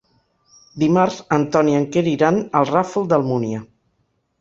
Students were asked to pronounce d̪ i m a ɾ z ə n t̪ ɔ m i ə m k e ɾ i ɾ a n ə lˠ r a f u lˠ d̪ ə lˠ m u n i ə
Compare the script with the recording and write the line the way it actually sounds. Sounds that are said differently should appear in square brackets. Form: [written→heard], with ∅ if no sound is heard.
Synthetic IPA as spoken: d̪ i m a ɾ z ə n t̪ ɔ [m→n] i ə [m→ŋ] k e ɾ i ɾ a n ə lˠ r a f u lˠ d̪ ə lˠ m u n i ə